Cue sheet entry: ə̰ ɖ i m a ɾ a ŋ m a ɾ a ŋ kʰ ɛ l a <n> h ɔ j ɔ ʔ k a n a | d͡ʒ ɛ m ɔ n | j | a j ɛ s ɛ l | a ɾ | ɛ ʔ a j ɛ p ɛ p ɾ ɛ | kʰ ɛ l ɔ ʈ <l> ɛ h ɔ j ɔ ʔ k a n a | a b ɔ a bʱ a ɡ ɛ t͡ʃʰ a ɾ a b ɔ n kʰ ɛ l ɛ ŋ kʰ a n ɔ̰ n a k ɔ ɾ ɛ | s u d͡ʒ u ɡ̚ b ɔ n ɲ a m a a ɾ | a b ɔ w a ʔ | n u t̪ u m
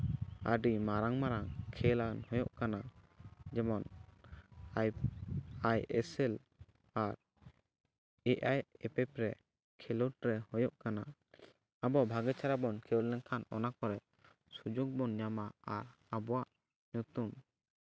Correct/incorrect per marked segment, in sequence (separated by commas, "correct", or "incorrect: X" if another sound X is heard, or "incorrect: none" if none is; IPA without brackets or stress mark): correct, incorrect: ɾ